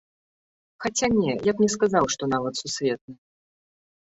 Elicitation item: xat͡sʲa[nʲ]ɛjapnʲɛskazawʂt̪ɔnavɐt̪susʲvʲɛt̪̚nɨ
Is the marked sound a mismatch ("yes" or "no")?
no